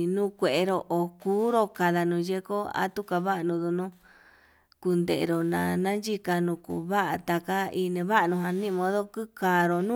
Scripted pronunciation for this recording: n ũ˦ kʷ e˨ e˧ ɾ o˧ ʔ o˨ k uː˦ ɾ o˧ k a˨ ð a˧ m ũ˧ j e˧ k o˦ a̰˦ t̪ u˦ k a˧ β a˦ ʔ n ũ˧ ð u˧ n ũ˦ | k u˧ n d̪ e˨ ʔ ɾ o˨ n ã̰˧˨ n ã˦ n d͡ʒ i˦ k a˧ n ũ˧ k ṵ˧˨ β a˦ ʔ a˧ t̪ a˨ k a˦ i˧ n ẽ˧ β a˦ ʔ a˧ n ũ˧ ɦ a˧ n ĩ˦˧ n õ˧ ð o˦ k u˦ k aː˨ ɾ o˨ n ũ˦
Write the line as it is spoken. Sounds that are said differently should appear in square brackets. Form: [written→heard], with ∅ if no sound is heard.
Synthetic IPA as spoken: n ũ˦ kʷ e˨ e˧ ɾ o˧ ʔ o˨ k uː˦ ɾ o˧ k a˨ ð a˧ [m→n] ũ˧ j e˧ k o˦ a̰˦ t̪ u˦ k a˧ β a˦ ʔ n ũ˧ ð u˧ n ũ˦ | k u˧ n d̪ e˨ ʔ ɾ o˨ n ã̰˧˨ n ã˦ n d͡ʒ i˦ k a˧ n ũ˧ k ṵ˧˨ β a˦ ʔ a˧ t̪ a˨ k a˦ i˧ n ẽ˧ β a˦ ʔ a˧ n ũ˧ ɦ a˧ n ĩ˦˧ [n→m] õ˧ ð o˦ k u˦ k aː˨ ɾ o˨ n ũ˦